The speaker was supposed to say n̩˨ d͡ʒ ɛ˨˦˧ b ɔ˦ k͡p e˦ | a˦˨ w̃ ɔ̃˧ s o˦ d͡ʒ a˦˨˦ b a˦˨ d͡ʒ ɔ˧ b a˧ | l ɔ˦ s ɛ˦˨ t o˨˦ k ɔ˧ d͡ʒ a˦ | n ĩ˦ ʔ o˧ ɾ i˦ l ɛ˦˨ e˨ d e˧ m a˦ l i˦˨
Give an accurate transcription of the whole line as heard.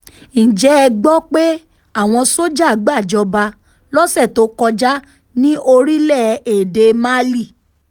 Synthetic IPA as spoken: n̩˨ d͡ʒ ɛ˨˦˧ ɡ͡b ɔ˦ k͡p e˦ | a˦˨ w̃ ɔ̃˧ s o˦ d͡ʒ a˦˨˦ ɡ͡b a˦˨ d͡ʒ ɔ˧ b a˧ | l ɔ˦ s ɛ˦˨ t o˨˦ k ɔ˧ d͡ʒ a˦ | n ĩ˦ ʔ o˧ ɾ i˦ l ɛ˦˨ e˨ d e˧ m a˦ l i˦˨